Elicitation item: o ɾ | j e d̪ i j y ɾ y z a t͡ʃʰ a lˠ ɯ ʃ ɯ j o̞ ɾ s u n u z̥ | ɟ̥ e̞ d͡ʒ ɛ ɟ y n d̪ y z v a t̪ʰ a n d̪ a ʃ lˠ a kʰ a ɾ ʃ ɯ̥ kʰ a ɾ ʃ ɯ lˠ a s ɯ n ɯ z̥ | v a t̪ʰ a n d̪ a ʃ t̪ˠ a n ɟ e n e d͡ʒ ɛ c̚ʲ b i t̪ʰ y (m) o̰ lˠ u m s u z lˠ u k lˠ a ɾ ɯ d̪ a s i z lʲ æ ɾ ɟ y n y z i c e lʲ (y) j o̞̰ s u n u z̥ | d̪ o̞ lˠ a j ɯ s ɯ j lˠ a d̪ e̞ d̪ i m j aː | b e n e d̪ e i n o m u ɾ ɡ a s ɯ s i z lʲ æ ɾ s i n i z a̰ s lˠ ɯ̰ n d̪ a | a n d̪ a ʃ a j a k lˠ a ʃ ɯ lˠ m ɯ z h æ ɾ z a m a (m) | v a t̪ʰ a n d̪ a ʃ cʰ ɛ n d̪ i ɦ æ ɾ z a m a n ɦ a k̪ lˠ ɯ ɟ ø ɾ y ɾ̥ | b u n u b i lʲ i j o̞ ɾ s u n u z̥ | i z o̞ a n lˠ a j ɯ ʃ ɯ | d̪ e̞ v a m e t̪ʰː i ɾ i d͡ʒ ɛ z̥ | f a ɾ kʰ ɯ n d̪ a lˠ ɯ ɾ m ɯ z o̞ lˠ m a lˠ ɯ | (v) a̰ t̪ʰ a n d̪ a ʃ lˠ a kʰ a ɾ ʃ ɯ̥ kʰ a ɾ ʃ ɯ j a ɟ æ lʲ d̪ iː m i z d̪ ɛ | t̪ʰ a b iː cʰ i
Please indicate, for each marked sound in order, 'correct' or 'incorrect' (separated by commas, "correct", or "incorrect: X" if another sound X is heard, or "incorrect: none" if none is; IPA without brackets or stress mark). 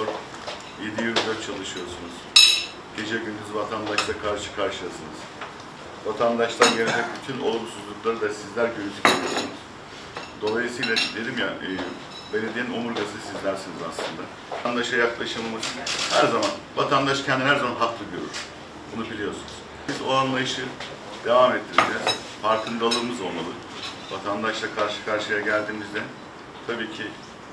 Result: incorrect: n, incorrect: i, incorrect: n, correct